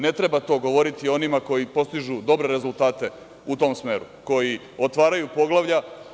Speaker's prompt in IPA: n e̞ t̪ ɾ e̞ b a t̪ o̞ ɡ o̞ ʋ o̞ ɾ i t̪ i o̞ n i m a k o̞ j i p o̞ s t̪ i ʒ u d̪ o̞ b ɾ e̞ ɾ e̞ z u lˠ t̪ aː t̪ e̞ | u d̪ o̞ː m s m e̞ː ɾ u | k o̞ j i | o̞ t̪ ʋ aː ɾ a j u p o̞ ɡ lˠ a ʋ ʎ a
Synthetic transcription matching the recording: n e̞ t̪ ɾ e̞ b a t̪ o̞ ɡ o̞ ʋ o̞ ɾ i t̪ i o̞ n i m a k o̞ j i p o̞ s t̪ i ʒ u d̪ o̞ b ɾ e̞ ɾ e̞ z u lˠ t̪ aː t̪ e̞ | u t̪ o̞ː m s m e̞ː ɾ u | k o̞ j i | o̞ t̪ ʋ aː ɾ a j u p o̞ ɡ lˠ a ʋ ʎ a